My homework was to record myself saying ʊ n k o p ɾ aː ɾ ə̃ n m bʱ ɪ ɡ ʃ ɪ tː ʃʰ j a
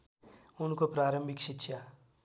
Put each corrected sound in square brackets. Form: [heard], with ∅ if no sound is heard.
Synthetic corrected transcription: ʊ n k o p ɾ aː ɾ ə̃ [∅] m bʱ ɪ [k] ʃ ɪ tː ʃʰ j a